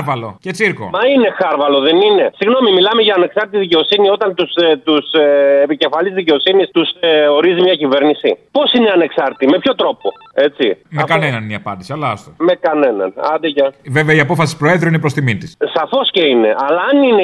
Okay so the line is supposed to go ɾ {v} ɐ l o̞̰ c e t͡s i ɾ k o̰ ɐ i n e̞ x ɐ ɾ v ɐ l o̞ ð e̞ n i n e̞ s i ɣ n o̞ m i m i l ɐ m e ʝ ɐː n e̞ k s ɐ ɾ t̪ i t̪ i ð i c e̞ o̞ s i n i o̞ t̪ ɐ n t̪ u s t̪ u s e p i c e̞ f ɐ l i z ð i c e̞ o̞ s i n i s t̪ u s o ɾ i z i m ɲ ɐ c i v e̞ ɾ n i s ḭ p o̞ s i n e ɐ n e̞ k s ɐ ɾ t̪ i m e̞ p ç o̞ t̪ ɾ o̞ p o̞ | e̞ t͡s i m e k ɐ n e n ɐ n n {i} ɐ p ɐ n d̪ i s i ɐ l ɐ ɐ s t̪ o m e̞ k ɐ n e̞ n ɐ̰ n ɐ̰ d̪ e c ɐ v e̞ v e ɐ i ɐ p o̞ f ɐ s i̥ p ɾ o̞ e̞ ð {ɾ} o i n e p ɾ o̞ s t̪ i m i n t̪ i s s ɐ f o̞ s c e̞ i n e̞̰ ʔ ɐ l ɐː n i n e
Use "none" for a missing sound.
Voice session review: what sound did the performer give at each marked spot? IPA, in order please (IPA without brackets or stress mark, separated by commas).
v, i, ɾ